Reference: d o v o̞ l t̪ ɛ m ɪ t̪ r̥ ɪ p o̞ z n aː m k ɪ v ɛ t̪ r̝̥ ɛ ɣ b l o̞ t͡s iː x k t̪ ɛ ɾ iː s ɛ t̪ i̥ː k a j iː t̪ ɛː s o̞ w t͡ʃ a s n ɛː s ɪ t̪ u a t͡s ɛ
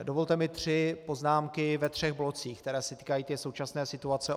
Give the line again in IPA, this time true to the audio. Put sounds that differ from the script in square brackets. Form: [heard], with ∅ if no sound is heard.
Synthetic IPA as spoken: d o v o̞ l t̪ ɛ m ɪ t̪ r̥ ɪ p o̞ z n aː m k ɪ v ɛ t̪ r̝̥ ɛ ɣ b l o̞ t͡s iː x k t̪ ɛ ɾ [ɛː] s ɛ t̪ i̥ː k a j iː t̪ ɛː s o̞ w t͡ʃ a s n ɛː s ɪ t̪ u a t͡s ɛ